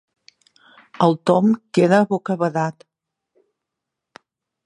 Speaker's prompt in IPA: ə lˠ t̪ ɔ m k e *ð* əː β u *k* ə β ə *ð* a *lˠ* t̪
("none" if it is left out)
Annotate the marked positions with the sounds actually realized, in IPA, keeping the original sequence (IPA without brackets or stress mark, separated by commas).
ð, k, ð, none